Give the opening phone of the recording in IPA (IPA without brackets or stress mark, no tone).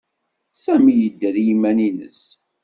s